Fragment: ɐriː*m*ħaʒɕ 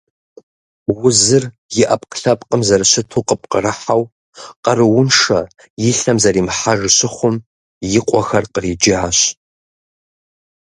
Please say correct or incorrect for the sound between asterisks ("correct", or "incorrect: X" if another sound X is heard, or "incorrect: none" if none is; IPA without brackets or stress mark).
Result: correct